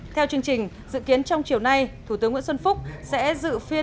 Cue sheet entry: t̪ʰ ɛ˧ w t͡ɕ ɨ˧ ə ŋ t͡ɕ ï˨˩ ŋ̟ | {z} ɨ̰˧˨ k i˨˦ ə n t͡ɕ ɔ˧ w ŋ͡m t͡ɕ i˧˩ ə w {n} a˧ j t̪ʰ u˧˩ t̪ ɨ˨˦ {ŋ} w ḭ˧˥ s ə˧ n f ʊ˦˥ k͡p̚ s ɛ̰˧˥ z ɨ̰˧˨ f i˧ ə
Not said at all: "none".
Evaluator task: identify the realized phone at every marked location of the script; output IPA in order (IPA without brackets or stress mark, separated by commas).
z, n, ŋ